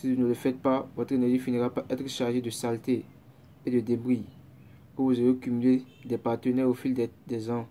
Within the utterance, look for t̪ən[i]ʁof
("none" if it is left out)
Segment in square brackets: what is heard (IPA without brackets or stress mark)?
ɛ